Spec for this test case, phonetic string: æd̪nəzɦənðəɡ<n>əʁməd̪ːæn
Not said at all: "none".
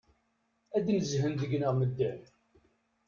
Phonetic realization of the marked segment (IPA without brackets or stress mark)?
n